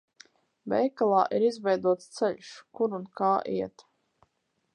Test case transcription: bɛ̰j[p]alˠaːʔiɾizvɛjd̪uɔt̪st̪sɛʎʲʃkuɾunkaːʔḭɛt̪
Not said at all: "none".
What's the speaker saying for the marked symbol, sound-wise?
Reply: k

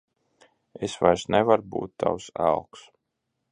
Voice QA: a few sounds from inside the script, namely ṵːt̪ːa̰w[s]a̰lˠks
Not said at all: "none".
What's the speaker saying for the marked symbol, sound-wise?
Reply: s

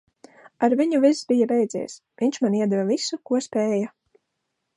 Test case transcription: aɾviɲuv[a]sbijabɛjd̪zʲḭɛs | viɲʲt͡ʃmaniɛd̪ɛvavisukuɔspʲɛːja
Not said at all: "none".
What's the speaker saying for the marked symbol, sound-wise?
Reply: i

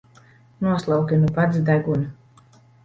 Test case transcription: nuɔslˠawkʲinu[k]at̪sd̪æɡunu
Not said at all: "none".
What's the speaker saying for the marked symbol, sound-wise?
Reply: p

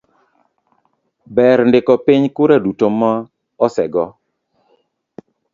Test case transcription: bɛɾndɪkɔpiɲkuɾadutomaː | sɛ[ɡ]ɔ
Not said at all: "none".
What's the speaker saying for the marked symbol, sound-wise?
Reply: ɡ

